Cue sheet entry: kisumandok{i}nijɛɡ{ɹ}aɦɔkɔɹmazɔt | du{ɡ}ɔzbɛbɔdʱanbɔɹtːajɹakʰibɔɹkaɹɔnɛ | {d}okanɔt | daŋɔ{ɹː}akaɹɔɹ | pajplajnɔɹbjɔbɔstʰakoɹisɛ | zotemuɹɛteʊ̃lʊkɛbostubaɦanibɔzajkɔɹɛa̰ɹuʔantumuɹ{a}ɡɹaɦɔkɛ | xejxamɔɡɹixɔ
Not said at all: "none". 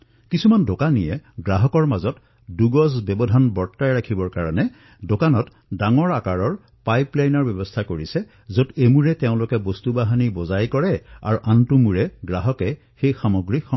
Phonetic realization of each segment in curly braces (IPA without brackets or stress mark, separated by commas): a, ɹ, ɡ, d, ɹ, ɛ